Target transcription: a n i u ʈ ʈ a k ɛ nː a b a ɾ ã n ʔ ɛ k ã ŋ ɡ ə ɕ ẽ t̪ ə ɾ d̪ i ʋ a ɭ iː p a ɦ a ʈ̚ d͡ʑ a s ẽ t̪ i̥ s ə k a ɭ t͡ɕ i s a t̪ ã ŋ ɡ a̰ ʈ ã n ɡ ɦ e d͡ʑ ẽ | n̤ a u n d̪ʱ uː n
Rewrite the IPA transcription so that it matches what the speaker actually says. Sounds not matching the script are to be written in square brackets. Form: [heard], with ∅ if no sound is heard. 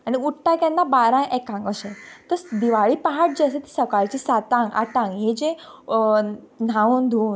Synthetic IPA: a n i u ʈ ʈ a k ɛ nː a b a ɾ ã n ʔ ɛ k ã ŋ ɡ ə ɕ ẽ t̪ ə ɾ d̪ i ʋ a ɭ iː p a ɦ a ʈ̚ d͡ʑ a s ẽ t̪ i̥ s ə k a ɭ t͡ɕ i s a t̪ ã ŋ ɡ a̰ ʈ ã [ŋ] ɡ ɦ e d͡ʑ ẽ | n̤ a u n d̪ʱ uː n